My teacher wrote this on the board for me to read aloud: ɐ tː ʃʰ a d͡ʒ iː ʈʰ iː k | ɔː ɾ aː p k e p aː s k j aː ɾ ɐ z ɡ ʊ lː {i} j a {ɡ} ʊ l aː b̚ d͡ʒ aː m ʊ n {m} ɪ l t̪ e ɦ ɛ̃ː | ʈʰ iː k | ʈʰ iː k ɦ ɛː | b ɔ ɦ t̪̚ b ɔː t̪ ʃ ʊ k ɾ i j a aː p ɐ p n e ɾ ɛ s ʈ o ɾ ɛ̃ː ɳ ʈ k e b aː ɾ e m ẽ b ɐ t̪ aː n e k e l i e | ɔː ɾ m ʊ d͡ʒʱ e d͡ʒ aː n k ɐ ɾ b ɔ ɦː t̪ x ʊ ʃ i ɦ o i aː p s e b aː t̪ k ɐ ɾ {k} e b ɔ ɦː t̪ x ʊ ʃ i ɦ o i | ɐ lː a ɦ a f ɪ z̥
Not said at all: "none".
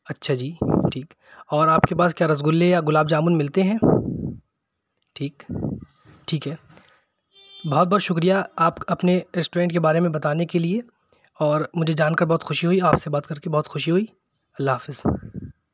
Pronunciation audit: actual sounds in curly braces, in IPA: e, ɡ, m, k

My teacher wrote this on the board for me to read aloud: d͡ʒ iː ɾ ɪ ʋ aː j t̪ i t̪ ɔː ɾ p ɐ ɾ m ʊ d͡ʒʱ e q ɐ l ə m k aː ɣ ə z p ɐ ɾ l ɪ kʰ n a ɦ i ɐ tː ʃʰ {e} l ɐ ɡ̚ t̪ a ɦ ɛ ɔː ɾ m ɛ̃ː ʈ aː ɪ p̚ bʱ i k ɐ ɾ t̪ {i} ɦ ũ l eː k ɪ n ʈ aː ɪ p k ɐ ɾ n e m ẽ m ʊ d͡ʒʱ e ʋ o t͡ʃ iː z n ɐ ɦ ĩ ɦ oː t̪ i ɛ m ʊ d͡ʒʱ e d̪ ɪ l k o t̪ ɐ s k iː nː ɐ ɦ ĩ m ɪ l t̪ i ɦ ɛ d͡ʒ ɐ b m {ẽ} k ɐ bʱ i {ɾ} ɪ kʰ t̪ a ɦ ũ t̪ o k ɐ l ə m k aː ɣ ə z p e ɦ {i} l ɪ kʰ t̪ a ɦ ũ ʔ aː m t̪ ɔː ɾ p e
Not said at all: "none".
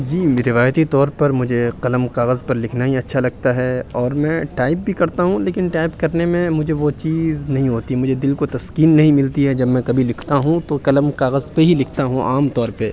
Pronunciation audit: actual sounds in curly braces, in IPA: a, a, ɛ̃, l, i

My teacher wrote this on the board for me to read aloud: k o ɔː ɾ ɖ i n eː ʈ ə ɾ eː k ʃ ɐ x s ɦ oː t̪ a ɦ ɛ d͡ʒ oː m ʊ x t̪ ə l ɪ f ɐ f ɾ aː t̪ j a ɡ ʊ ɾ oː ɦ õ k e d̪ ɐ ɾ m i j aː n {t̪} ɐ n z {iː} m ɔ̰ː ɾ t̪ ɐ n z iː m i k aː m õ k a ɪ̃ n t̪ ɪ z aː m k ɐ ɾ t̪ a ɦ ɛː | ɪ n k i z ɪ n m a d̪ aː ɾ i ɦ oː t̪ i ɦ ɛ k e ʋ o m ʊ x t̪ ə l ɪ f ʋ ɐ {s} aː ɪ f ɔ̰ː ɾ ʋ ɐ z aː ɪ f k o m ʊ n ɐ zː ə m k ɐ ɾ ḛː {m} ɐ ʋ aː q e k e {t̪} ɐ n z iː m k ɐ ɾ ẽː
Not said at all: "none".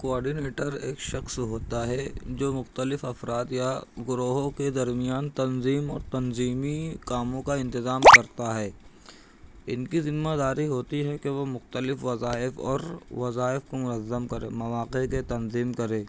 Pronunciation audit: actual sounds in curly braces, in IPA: t̪, iː, z, m, t̪

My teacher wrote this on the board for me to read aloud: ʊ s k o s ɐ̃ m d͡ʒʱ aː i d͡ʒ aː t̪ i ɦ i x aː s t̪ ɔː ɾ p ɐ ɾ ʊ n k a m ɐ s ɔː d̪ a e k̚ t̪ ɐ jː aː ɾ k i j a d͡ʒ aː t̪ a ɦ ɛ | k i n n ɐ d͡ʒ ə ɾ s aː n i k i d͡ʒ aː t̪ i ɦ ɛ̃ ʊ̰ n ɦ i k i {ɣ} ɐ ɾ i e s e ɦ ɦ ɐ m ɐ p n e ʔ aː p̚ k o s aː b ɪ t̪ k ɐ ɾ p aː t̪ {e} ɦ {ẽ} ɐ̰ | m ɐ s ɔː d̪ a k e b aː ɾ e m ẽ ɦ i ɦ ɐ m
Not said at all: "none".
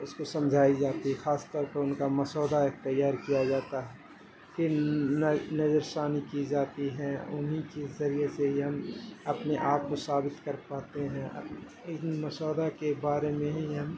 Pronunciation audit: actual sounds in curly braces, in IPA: z, e, ɛ̃

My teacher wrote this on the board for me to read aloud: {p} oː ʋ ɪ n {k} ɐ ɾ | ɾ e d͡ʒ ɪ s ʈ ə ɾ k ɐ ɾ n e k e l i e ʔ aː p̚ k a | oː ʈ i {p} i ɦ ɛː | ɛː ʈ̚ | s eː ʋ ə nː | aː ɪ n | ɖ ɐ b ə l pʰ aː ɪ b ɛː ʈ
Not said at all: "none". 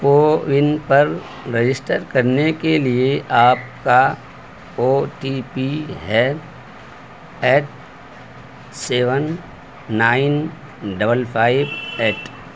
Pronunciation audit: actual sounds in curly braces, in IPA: p, p, p

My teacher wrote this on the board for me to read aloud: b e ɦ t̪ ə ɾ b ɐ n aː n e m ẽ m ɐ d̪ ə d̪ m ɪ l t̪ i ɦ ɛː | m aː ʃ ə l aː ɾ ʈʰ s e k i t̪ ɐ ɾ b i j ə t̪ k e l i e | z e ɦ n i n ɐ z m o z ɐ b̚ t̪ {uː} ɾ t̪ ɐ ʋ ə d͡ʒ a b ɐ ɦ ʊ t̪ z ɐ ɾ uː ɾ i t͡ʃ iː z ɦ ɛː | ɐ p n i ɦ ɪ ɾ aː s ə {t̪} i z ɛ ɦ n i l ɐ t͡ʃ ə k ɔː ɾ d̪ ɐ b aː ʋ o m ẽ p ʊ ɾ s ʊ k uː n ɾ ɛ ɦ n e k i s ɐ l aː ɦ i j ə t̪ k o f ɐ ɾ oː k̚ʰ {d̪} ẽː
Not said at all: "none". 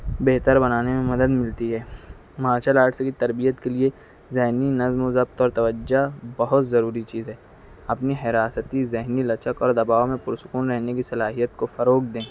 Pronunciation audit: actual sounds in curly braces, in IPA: ɔː, t̪, d̪

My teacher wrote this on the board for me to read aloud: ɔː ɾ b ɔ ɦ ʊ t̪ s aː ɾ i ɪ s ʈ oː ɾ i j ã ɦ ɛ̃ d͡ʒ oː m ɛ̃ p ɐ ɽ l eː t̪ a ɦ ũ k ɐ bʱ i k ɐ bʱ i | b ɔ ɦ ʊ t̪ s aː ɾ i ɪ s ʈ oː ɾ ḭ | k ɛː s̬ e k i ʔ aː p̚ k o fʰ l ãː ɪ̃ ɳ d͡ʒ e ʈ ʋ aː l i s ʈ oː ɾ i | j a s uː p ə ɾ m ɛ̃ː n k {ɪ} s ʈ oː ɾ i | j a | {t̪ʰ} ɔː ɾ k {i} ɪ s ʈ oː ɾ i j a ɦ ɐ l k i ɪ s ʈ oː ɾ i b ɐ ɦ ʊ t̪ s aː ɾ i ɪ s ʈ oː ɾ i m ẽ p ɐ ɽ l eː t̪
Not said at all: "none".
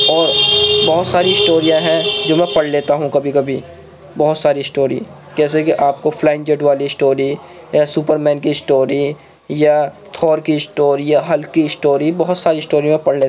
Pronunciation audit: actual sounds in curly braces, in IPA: i, t̪ʰ, i

